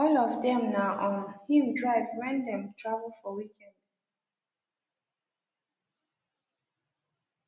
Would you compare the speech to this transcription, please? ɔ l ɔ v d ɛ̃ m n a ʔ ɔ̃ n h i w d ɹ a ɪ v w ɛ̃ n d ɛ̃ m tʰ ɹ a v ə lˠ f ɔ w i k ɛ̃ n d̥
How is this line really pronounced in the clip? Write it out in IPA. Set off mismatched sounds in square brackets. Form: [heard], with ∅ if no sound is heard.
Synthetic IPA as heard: ɔ l ɔ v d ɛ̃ m n a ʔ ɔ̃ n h i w d ɹ a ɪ v w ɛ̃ n d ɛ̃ m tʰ ɹ a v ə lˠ f ɔ w i k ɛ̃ n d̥